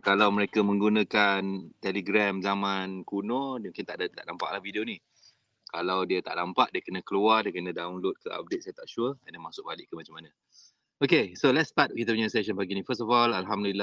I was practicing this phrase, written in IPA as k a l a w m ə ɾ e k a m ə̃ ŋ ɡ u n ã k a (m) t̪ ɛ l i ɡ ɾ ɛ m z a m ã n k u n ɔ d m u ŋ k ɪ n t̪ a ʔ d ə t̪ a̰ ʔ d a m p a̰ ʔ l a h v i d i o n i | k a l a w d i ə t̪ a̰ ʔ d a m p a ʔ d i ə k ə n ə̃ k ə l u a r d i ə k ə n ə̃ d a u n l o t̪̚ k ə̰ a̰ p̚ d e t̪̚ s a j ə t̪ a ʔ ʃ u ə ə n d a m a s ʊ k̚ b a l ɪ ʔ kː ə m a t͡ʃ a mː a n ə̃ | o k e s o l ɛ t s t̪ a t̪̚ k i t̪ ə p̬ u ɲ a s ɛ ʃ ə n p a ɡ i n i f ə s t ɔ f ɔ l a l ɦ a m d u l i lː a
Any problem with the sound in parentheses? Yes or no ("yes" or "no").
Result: yes